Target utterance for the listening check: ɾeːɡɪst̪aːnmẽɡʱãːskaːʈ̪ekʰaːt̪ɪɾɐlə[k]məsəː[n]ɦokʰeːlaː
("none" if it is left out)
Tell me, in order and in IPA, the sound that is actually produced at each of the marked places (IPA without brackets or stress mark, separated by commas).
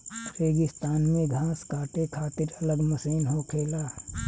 ɡ, n